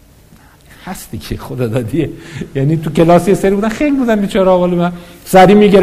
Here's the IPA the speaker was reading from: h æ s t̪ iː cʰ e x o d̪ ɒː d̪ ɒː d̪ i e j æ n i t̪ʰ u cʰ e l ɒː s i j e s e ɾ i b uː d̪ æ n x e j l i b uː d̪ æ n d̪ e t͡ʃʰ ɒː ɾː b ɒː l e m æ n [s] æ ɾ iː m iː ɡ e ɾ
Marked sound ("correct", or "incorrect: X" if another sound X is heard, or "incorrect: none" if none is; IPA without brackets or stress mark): correct